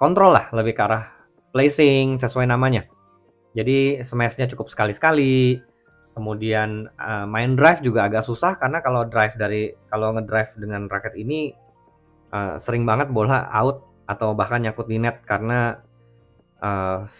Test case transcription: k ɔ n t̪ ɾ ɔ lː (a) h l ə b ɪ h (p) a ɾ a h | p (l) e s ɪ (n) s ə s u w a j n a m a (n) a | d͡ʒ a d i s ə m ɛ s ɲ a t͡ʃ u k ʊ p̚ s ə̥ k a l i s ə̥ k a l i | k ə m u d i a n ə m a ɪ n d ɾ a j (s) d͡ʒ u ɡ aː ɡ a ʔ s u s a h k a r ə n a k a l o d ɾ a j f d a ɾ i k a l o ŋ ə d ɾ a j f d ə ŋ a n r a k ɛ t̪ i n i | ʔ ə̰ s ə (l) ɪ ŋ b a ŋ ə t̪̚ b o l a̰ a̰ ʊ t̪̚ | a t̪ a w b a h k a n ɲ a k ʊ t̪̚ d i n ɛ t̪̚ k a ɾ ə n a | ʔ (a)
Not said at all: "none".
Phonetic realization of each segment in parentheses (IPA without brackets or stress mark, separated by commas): a, k, l, ŋ, ɲ, f, ɾ, ə